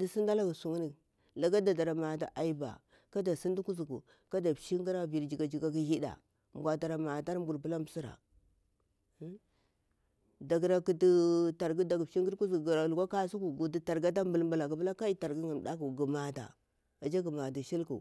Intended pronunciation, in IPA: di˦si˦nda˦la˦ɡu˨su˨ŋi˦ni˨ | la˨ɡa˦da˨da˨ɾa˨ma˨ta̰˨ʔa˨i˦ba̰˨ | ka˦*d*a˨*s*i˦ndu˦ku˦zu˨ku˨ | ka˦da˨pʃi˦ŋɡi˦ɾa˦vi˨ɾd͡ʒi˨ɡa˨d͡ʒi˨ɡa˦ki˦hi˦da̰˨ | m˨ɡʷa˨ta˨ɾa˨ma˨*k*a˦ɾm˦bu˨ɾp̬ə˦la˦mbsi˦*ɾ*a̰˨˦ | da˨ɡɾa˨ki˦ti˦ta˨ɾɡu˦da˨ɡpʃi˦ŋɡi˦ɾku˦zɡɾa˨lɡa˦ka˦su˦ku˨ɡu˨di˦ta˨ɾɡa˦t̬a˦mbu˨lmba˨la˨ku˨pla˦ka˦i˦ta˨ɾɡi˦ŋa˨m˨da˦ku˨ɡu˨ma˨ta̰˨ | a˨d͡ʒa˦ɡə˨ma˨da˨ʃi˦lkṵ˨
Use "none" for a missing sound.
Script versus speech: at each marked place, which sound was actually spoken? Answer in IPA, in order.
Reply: d, s, t, ɾ

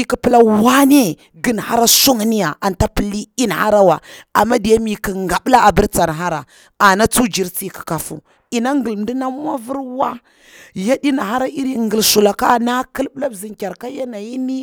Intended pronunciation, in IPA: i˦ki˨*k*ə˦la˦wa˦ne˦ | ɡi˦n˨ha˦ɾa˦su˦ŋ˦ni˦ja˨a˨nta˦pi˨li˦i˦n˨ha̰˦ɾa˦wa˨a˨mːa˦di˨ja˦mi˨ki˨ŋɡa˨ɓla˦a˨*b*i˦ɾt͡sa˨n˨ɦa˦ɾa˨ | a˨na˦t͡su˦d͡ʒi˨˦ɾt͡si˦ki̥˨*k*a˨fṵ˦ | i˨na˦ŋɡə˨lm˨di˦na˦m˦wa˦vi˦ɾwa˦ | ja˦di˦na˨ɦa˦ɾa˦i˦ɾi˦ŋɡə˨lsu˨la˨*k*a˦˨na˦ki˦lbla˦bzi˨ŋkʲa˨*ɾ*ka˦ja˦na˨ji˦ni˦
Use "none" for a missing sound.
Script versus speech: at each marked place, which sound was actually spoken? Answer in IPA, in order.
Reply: p, b, k, k, ɾ

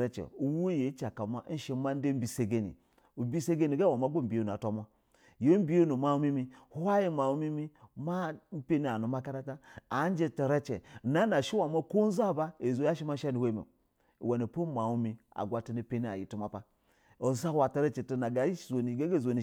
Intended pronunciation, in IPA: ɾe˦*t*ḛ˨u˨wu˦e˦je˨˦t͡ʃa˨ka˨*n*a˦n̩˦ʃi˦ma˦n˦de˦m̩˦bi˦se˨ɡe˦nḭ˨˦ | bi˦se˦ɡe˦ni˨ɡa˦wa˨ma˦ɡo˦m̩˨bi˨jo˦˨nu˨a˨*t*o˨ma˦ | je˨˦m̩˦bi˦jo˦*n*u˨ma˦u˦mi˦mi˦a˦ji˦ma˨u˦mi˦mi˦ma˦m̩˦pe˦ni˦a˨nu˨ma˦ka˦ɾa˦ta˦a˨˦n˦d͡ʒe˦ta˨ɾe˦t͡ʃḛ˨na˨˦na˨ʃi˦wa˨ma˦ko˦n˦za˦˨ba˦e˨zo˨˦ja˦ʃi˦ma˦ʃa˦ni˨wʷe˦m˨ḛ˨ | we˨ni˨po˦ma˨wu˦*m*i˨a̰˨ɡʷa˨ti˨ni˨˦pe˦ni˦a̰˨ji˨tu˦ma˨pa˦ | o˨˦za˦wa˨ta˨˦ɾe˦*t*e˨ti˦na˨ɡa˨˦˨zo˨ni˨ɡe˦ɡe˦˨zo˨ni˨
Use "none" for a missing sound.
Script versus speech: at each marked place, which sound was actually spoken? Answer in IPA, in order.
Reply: t͡ʃ, m, t, n, m, t͡ʃ

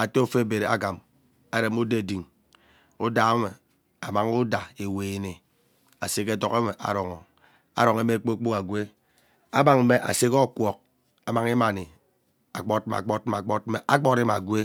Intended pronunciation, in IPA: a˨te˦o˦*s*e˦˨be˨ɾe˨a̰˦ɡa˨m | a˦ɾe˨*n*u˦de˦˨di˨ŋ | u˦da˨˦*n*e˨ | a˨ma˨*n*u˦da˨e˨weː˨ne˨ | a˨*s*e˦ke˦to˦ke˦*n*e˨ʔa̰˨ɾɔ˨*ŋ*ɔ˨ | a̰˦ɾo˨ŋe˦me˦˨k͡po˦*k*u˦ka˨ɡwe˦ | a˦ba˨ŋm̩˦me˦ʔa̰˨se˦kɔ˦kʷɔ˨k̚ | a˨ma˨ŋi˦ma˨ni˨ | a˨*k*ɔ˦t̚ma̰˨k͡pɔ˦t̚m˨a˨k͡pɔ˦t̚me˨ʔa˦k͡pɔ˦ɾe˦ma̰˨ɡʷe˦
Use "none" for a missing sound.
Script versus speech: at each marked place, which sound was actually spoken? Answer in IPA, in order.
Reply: f, m, m, ŋ, s, m, ŋ, k͡p, k͡p

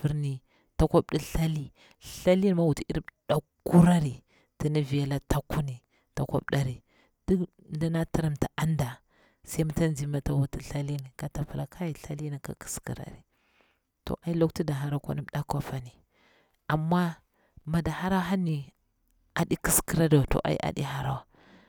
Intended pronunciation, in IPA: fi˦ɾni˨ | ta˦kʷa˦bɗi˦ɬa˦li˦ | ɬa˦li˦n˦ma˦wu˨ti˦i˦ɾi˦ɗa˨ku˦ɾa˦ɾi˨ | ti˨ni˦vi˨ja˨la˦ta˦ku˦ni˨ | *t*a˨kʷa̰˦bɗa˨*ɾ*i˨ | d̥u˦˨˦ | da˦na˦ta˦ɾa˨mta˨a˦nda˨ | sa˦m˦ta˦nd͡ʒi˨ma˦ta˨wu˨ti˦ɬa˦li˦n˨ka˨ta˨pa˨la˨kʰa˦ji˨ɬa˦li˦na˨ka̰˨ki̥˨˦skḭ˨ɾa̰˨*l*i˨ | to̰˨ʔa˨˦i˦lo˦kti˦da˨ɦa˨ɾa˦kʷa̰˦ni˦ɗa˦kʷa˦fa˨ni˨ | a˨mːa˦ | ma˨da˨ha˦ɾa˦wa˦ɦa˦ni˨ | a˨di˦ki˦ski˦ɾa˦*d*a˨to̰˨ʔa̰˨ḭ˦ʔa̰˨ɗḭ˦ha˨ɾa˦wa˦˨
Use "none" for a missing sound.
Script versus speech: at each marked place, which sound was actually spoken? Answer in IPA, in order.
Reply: t, ɾ, ɾ, d

